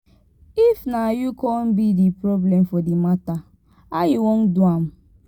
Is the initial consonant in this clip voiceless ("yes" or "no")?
yes